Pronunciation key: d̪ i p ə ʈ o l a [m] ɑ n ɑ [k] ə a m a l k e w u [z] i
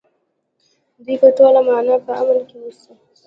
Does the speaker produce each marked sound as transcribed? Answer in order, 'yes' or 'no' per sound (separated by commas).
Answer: yes, no, no